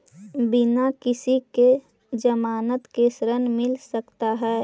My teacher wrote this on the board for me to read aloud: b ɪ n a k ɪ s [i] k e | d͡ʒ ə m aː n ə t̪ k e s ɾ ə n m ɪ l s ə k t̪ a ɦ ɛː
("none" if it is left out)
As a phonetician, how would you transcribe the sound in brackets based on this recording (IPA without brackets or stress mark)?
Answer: i